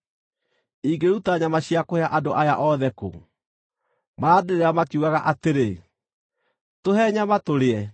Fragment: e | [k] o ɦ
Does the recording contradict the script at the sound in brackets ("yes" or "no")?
yes